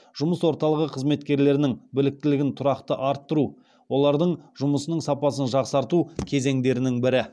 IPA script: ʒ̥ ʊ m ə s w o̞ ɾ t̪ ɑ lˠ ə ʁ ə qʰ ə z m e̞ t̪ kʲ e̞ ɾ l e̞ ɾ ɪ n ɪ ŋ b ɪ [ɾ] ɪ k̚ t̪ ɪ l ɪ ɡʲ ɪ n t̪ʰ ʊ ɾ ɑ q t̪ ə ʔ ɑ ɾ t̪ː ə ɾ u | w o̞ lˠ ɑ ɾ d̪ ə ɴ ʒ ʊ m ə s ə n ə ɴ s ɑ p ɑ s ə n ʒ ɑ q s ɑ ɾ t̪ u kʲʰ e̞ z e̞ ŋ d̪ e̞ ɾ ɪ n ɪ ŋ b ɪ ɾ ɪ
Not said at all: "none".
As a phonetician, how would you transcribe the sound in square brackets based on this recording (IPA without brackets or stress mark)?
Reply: l